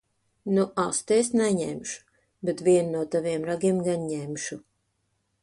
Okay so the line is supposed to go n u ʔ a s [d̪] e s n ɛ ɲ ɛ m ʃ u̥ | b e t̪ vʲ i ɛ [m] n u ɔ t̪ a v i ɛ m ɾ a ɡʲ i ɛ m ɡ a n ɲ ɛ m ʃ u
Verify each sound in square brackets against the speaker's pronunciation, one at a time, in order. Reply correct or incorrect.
incorrect, incorrect

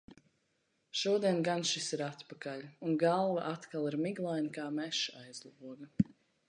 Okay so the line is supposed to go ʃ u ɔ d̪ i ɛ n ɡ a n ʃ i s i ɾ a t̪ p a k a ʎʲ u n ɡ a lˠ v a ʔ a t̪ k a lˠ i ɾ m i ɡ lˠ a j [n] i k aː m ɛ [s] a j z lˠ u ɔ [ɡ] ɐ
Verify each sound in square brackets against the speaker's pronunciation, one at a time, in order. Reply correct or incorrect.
correct, incorrect, correct

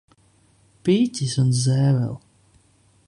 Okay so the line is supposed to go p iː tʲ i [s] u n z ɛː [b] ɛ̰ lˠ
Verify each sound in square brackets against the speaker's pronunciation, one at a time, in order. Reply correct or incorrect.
correct, incorrect

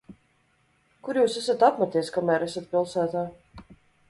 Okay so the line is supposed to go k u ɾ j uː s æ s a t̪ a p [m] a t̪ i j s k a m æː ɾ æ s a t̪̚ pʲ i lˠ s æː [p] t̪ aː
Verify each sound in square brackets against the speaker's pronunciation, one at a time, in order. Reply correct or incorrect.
correct, incorrect

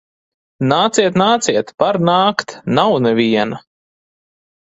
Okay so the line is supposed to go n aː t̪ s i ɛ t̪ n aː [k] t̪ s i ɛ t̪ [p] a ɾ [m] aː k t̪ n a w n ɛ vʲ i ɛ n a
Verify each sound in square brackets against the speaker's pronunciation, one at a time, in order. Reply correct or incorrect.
incorrect, correct, incorrect

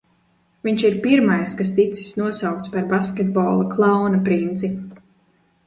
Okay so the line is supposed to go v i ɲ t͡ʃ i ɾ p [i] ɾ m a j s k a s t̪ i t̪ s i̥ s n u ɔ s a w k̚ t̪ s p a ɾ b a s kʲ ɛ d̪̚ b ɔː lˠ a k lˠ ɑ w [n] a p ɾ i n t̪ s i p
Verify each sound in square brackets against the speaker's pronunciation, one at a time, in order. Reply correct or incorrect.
correct, correct

